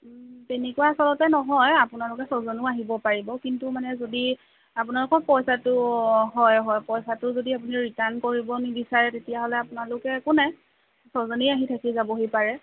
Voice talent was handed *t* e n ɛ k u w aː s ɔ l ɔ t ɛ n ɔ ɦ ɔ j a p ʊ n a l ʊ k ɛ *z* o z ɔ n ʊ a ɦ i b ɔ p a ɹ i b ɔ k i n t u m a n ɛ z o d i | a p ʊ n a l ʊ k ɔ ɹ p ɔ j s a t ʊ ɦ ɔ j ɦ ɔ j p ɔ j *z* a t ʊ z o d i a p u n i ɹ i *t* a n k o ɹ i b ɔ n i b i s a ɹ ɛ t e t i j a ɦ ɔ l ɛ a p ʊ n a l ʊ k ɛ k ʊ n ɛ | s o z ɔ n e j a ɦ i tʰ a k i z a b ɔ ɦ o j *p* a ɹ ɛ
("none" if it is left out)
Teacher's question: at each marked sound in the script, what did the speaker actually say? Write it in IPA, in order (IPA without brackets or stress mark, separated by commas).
t, s, s, t, p